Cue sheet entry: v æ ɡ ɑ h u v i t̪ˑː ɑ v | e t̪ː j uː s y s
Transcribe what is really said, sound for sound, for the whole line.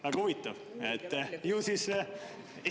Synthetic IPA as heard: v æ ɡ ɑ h u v i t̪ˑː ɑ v | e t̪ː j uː s i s